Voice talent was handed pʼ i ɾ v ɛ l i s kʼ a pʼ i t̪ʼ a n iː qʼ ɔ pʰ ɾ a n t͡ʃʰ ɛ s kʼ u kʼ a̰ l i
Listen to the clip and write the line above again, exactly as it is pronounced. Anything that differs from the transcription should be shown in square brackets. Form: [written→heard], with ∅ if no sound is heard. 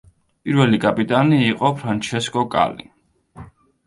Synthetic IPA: pʼ i ɾ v ɛ l i [s→∅] kʼ a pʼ i t̪ʼ a n iː qʼ ɔ pʰ ɾ a n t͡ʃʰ ɛ s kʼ [u→ɔ] kʼ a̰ l i